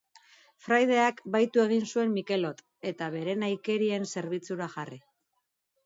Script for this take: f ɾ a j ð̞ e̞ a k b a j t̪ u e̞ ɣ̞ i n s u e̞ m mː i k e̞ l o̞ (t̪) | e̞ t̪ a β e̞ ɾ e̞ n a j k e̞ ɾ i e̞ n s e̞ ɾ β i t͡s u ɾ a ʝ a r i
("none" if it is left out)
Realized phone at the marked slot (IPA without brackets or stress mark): t̪